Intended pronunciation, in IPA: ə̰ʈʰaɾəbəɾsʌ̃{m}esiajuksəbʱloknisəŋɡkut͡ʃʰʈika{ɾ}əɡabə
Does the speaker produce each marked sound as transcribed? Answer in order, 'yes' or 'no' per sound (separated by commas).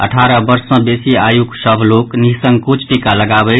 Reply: no, no